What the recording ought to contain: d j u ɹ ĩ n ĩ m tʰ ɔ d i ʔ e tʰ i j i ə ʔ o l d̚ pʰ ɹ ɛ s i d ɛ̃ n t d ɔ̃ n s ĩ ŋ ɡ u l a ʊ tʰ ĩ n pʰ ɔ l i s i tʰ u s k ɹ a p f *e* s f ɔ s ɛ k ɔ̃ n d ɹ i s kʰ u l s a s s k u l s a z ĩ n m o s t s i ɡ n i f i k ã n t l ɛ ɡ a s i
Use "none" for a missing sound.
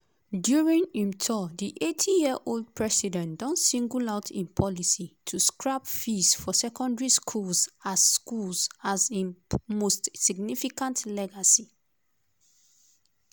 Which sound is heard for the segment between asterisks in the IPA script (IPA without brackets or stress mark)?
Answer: i